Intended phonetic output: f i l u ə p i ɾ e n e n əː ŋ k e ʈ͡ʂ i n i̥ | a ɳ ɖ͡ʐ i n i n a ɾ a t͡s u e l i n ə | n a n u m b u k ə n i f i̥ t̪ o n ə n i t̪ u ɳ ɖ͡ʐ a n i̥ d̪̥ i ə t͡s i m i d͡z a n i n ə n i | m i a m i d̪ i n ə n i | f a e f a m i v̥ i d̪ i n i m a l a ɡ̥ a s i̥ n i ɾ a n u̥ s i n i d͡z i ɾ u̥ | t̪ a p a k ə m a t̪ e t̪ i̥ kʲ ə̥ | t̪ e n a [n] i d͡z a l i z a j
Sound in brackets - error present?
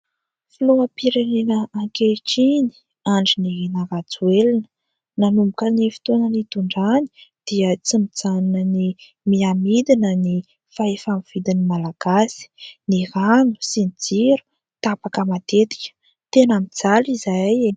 yes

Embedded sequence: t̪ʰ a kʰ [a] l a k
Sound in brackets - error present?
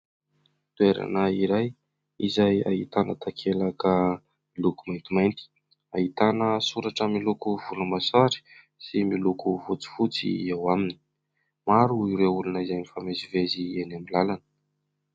yes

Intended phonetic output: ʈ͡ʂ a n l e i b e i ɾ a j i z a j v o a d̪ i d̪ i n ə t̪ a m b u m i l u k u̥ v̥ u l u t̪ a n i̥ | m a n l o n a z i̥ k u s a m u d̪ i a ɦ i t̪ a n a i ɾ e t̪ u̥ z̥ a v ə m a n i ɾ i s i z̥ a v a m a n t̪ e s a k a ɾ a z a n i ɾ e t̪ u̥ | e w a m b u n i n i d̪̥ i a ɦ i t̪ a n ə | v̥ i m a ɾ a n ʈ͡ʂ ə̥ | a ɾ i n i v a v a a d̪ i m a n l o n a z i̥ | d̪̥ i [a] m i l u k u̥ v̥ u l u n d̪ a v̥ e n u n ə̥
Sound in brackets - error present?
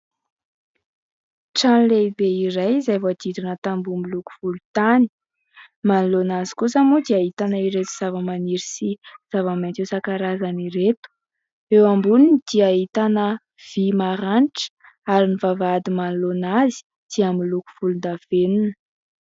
no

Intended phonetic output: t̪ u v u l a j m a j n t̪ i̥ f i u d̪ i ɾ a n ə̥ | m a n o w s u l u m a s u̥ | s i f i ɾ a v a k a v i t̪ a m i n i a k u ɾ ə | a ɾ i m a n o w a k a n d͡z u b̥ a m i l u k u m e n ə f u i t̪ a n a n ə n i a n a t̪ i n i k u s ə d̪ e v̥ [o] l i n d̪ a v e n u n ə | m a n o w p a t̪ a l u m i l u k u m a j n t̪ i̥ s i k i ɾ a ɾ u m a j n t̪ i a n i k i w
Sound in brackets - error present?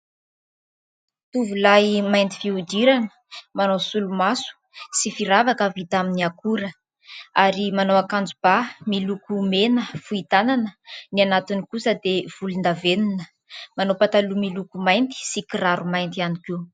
yes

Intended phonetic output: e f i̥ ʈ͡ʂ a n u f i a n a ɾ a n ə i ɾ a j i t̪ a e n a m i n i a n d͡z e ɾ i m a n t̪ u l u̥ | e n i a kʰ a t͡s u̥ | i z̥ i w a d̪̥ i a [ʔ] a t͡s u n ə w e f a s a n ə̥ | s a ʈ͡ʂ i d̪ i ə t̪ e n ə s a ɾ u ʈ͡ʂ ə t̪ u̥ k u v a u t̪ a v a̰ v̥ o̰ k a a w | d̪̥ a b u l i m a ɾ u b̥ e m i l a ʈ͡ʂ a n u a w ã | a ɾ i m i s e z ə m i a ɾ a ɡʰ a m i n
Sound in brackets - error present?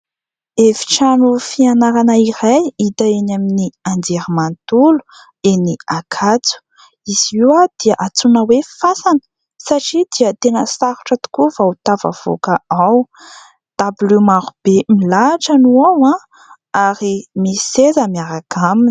no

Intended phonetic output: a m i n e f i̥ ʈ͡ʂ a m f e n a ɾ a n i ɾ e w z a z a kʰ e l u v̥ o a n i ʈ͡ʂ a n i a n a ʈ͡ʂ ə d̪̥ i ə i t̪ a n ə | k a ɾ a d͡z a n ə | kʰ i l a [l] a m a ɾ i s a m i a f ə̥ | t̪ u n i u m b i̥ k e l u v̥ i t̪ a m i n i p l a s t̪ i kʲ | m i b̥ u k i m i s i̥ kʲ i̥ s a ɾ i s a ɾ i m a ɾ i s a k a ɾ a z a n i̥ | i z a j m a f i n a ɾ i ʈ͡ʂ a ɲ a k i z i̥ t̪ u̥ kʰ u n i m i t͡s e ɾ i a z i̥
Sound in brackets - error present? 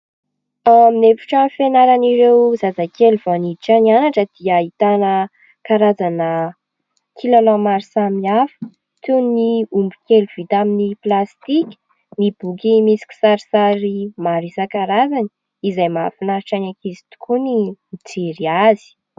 no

